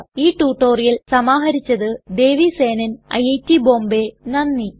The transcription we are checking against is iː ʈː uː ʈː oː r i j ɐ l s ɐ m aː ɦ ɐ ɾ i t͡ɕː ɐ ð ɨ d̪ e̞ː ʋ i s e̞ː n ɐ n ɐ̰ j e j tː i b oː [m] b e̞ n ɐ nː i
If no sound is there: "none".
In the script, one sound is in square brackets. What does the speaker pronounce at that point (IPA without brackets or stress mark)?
m